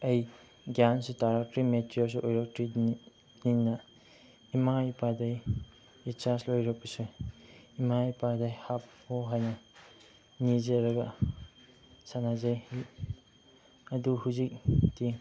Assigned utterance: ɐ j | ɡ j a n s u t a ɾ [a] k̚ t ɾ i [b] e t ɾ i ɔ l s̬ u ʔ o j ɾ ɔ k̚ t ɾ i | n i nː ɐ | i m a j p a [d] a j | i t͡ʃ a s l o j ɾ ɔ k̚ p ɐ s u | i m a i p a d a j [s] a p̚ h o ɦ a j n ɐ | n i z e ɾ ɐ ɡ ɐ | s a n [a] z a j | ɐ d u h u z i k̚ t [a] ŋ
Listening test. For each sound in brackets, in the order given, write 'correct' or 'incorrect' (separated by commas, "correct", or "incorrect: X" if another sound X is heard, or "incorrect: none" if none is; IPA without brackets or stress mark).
correct, incorrect: m, correct, incorrect: h, correct, incorrect: i